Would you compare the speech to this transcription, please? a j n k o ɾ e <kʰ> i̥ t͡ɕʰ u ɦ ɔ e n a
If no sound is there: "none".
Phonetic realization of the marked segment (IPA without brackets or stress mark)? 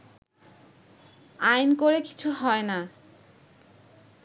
k